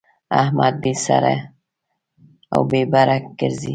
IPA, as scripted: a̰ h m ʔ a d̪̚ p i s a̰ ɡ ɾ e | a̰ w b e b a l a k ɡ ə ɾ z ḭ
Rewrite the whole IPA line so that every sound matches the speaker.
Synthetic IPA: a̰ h m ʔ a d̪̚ b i s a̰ ɾ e | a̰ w b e b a ɾ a k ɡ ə ɾ z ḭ